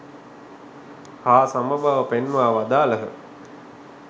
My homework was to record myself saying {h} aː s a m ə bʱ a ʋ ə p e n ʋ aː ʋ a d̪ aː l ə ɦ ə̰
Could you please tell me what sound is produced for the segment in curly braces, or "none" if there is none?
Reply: h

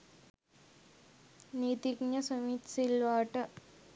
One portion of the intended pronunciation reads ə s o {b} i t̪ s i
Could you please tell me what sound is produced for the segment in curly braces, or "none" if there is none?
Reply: m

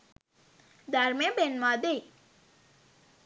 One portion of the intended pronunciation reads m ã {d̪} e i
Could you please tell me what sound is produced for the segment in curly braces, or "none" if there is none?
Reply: d̪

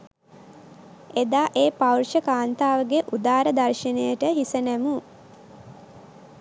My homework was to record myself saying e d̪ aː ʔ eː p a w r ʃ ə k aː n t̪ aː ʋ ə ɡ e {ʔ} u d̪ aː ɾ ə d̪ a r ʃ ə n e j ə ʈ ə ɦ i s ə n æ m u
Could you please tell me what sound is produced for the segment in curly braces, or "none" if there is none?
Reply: ʔ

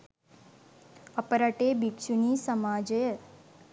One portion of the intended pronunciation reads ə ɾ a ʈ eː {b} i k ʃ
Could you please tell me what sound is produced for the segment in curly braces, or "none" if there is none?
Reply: b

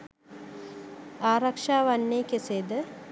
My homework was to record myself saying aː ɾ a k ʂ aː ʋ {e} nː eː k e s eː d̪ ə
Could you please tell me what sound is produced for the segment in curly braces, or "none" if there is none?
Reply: a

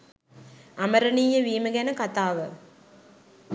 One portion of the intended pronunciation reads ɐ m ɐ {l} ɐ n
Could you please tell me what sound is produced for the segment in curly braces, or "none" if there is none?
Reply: ɾ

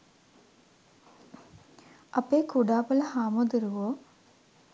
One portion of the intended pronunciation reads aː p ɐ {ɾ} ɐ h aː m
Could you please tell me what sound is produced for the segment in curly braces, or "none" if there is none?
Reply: l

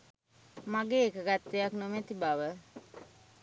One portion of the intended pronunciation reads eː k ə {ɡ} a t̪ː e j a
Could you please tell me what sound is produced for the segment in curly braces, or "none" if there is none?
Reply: ɡ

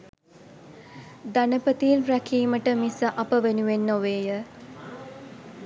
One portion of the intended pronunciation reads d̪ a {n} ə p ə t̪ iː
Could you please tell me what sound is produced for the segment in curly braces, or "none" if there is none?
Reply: n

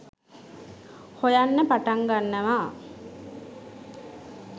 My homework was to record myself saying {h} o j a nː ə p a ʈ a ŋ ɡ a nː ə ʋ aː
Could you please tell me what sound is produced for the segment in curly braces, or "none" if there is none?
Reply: h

